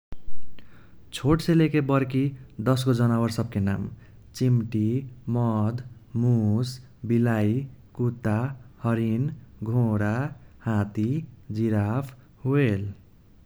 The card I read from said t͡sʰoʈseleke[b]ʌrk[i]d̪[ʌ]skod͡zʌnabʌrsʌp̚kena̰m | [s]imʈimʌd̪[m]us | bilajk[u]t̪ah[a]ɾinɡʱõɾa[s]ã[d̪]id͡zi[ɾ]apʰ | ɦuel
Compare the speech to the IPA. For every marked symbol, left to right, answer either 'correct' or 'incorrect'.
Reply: correct, correct, correct, incorrect: t͡s, correct, correct, incorrect: ʌ, incorrect: h, incorrect: t̪, correct

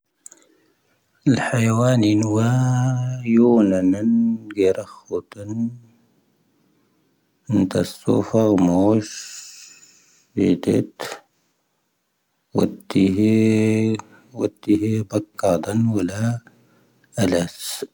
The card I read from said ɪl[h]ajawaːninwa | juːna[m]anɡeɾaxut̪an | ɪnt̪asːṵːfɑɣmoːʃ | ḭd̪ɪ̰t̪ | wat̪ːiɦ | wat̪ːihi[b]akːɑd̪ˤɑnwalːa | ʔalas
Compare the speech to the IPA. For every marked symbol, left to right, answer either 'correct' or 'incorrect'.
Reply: incorrect: ħ, incorrect: n, correct

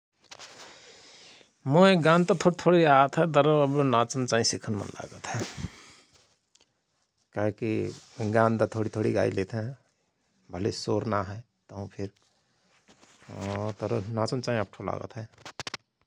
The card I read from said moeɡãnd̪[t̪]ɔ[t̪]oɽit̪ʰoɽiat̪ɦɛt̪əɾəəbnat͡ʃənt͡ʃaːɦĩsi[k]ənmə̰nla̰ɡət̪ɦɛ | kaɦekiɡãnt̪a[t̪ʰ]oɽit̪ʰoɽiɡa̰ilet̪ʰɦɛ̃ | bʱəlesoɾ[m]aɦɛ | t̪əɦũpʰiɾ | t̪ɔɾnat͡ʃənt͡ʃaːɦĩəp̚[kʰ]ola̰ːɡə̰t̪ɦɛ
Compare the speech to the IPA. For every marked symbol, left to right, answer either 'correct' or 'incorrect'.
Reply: correct, incorrect: t̪ʰ, incorrect: kʰ, correct, incorrect: n, incorrect: ʈʰ

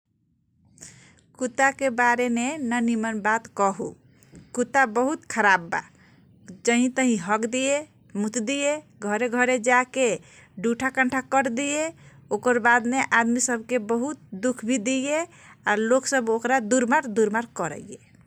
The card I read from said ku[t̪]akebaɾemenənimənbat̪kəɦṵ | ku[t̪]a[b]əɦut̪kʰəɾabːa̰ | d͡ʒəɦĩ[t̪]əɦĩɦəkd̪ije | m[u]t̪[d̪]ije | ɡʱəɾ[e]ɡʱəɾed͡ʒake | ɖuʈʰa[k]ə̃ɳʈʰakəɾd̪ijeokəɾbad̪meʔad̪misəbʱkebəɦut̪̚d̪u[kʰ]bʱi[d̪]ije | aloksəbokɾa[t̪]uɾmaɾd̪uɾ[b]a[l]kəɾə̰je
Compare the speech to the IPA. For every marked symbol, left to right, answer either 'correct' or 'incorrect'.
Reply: correct, correct, correct, correct, correct, correct, correct, correct, correct, correct, incorrect: d̪, incorrect: m, incorrect: ɾ

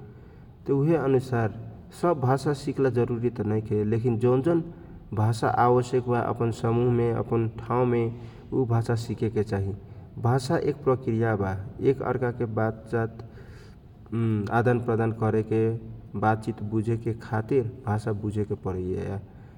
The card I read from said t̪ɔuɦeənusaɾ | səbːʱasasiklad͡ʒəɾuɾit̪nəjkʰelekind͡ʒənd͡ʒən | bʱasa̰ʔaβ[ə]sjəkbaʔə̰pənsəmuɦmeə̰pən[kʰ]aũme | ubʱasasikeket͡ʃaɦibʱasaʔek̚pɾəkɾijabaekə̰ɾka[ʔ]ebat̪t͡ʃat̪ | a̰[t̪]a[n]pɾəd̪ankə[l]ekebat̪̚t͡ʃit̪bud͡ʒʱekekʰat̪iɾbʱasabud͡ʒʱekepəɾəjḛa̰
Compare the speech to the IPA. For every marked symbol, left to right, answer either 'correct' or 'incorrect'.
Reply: correct, incorrect: ʈʰ, incorrect: k, incorrect: d̪, correct, incorrect: ɾ

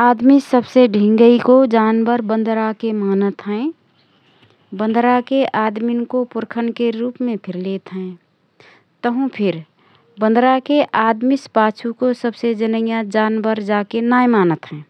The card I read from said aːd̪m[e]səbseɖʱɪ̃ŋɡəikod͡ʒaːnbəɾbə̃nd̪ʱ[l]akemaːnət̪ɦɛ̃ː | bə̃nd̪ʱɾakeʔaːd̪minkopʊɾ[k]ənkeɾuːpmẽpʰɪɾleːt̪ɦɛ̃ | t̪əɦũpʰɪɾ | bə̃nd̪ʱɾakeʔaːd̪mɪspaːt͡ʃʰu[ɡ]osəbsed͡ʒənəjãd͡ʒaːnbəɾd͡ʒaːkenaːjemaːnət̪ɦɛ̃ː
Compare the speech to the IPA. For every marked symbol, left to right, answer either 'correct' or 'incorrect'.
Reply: incorrect: i, incorrect: ɾ, incorrect: kʰ, incorrect: k

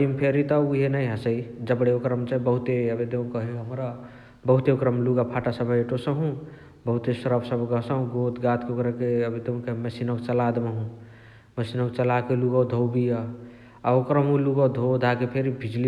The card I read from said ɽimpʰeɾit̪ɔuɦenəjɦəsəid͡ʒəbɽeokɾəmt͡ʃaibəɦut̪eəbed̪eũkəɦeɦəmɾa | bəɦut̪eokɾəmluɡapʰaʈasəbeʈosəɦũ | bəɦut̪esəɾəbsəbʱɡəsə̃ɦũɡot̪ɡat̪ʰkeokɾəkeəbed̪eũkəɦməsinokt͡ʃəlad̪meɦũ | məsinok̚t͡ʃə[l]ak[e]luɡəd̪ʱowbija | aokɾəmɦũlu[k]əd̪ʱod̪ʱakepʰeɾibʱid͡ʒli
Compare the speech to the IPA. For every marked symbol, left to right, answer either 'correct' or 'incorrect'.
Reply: correct, correct, incorrect: ɡ

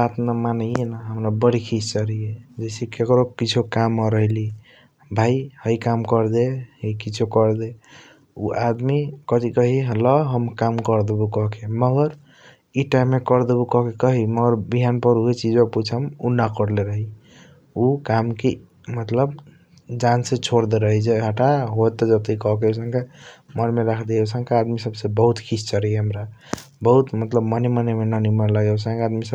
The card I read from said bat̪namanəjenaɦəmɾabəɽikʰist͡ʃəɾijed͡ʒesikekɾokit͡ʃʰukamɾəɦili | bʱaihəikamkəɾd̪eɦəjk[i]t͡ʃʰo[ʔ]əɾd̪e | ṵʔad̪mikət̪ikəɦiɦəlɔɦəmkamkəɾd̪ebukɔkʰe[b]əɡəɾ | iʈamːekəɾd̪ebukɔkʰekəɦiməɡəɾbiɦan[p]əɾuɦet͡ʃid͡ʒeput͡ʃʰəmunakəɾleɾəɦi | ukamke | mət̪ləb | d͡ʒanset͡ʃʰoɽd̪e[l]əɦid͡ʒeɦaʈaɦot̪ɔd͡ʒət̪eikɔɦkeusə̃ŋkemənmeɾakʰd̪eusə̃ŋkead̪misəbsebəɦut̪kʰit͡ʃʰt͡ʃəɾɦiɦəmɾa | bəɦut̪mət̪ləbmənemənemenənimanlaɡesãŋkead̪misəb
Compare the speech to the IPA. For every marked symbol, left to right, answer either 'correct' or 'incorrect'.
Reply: correct, incorrect: k, incorrect: m, correct, incorrect: ɾ

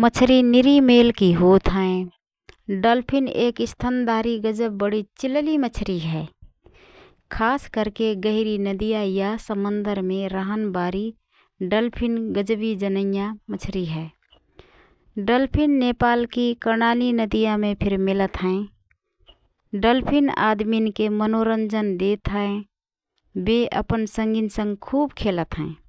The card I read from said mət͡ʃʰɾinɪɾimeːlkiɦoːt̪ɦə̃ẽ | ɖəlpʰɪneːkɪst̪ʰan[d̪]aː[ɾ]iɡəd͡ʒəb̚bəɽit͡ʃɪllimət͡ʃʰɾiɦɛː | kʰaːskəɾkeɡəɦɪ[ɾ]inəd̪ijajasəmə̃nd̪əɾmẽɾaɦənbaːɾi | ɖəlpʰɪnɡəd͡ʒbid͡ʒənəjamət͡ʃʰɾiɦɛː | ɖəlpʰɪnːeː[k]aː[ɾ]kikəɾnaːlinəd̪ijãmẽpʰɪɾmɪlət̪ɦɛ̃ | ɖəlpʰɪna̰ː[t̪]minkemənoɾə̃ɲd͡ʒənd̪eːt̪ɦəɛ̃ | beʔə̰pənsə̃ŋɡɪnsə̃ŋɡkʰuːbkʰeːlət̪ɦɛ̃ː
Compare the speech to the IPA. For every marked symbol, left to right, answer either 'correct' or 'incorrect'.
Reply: correct, correct, correct, incorrect: p, incorrect: l, incorrect: d̪

